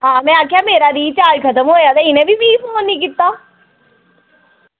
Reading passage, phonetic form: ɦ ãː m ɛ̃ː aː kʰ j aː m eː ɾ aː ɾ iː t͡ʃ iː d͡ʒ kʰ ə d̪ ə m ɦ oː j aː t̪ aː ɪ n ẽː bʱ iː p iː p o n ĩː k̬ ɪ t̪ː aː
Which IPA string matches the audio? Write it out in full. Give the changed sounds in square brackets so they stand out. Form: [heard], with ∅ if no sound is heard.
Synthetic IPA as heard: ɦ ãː m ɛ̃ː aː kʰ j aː m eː ɾ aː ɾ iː t͡ʃ [aː] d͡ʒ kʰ ə [t̪] ə m ɦ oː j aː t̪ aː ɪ n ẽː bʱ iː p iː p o n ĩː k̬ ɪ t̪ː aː